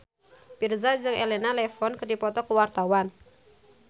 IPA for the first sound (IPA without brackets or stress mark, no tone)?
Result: p